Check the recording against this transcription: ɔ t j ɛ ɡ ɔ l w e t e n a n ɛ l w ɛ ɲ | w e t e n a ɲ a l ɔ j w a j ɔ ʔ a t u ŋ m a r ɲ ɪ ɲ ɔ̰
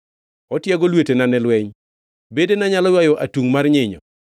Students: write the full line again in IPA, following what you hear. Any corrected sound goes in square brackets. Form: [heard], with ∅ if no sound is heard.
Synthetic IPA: ɔ t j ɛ ɡ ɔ l w e t e n a n ɛ l w ɛ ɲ | [b] e [d] e n a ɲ a l ɔ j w a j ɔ ʔ a t u ŋ m a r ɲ ɪ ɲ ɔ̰